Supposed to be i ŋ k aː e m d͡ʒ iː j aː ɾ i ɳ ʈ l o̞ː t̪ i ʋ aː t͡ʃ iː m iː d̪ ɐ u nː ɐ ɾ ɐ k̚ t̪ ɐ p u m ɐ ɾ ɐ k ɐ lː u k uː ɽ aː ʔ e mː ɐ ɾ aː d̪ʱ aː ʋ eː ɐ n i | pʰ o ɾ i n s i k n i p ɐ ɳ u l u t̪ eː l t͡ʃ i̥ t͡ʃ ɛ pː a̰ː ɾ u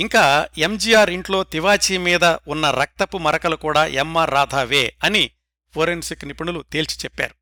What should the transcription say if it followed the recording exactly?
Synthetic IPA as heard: i ŋ k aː e m d͡ʒ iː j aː ɾ i ɳ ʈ l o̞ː t̪ i ʋ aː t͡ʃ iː m iː d̪ ɐ u nː ɐ ɾ ɐ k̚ t̪ ɐ p u m ɐ ɾ ɐ k ɐ l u k uː ɽ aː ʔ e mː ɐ ɾ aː d̪ʱ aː ʋ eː ɐ n i | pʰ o ɾ e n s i k n i p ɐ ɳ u l u t̪ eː l t͡ʃ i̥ t͡ʃ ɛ pː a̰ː ɾ u